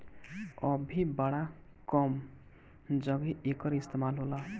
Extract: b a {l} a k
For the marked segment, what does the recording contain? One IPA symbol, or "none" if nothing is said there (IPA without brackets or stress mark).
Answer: ɽ